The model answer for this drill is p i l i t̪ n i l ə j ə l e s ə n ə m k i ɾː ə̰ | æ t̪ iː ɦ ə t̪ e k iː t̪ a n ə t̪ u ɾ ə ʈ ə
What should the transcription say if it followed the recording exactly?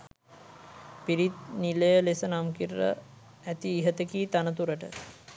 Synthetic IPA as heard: p i ɾ i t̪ n i l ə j ə l e s ə n a m k i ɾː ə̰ | æ t̪ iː ɦ ə t̪ e k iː t̪ a n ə t̪ u ɾ ə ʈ ə